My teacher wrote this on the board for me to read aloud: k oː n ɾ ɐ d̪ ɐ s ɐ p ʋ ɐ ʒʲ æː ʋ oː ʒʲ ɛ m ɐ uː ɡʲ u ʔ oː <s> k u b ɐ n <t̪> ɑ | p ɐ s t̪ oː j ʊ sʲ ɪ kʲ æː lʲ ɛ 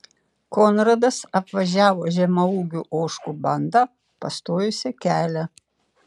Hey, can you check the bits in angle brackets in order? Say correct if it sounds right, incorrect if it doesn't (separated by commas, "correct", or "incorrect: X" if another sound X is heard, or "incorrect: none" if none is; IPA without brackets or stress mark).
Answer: incorrect: ʃ, incorrect: d̪